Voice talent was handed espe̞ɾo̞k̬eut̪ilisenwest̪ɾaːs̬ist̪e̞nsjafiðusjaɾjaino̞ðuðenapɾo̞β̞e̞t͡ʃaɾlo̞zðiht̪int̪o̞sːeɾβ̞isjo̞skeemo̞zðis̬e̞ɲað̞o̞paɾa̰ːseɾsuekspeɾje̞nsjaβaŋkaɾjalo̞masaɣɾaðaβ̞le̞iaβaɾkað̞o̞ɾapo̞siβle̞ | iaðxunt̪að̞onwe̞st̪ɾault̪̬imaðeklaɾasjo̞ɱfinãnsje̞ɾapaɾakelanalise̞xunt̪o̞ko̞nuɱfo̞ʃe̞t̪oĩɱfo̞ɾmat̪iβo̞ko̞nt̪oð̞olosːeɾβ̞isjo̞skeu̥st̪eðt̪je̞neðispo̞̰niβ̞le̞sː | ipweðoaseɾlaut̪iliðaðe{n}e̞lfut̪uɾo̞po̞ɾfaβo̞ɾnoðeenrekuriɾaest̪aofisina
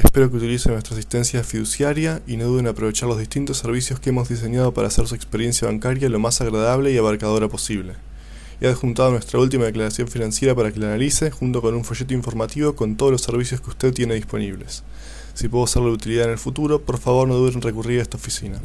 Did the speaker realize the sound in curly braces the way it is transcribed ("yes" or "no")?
yes